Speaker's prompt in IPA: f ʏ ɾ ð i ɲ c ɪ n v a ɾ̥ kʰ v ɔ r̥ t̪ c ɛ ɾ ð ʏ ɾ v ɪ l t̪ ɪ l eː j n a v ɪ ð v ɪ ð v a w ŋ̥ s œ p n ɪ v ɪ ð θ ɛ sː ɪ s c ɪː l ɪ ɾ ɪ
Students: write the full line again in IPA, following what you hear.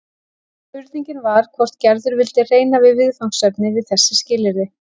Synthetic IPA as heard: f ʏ ɾ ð i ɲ c ɪ n v a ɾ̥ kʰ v ɔ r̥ t̪ c ɛ ɾ ð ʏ ɾ v ɪ l t̪ ɪ r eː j n a v ɪ ð v ɪ ð f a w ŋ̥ s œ p n ɪ v ɪ ð θ ɛ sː ɪ s c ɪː l ɪ ɾ ɪ